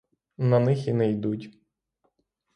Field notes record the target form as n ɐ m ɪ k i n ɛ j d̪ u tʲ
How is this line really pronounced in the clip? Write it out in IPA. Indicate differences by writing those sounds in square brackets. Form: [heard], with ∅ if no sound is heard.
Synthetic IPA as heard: n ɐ [n] ɪ [x] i n ɛ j d̪ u tʲ